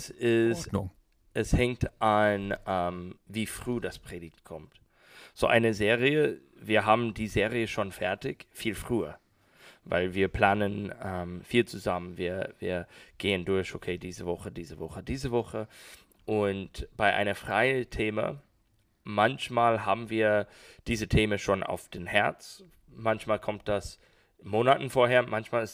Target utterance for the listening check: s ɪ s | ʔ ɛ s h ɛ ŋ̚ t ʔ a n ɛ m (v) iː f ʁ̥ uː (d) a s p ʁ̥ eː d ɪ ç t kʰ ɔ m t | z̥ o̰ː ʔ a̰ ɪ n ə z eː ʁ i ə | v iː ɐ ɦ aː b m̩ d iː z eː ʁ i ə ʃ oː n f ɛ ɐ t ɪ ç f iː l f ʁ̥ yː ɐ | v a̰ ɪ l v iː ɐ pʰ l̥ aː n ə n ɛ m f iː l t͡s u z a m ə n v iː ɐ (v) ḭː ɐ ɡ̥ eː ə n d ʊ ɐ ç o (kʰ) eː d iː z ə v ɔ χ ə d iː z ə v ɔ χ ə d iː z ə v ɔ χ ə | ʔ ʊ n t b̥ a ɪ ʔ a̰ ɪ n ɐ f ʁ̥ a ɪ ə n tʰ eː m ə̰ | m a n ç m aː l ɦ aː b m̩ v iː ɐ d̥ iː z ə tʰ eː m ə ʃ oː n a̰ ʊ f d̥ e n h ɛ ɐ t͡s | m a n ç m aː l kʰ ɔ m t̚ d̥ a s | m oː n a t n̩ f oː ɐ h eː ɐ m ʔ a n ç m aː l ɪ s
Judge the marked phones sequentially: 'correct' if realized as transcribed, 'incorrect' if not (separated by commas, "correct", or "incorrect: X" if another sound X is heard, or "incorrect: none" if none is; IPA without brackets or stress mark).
correct, correct, correct, correct